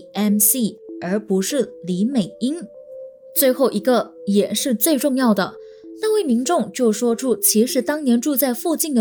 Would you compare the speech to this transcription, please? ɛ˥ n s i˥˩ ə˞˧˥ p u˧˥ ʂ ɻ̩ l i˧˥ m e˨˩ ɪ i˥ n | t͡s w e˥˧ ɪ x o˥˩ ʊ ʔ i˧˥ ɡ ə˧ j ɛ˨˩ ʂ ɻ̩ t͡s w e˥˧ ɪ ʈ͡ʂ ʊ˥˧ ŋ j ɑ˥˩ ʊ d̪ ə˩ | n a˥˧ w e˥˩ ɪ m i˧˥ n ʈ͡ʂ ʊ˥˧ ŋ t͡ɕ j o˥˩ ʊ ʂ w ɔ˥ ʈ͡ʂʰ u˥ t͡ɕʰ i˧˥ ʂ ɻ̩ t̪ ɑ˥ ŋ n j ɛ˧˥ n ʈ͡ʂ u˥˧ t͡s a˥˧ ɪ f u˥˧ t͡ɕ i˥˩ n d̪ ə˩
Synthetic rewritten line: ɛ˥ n s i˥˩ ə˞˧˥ p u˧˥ ʂ ɻ̩ l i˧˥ m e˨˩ ɪ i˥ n | t͡s w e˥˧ ɪ x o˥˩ ʊ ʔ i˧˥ ɡ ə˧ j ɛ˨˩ ʂ ɻ̩ t͡s w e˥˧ ɪ ʈ͡ʂ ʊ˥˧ ŋ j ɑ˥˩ ʊ d̪ ə˩ | n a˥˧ w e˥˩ ɪ m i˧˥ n ʈ͡ʂ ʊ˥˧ ŋ t͡ɕ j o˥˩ ʊ ʂ w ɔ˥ ʈ͡ʂʰ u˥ t͡ɕʰ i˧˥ ʂ ɻ̩ t̪ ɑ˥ ŋ n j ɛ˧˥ n ʈ͡ʂ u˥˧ t͡s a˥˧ ɪ f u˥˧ t͡ɕ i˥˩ n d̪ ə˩